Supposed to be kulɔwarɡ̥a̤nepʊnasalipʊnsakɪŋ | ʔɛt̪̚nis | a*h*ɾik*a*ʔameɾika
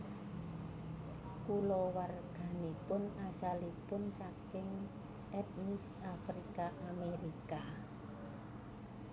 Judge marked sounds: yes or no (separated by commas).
no, yes